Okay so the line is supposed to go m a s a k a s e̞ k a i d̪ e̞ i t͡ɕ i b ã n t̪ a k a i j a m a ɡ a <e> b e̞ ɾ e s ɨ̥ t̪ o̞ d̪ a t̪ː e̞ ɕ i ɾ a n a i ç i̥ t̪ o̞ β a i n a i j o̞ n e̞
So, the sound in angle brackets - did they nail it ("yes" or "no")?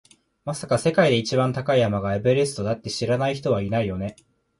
yes